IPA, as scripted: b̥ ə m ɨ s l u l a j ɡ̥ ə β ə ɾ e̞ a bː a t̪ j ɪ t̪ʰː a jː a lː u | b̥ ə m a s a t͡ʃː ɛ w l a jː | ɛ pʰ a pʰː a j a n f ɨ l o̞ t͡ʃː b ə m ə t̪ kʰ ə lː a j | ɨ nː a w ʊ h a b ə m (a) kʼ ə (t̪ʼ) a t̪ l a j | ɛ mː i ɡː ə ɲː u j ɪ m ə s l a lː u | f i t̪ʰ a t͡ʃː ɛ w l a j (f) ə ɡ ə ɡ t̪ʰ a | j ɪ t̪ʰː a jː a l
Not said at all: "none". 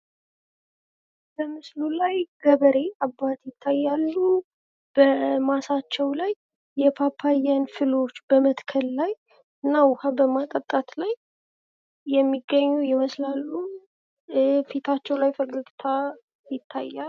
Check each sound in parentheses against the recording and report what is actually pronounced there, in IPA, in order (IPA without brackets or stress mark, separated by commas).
a, t̪ʼ, f